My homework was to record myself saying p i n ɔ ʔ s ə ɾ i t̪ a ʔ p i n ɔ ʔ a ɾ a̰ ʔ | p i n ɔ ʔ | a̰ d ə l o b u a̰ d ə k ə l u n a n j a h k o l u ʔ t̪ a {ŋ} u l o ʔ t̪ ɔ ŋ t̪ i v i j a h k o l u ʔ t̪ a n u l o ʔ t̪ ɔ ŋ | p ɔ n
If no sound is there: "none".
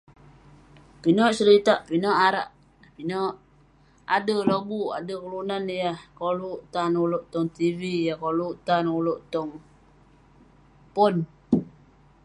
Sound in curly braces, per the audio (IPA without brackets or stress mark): n